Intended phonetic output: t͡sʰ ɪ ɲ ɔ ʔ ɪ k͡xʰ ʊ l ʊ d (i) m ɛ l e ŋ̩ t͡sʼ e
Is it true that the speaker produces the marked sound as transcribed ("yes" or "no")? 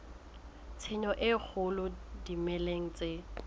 yes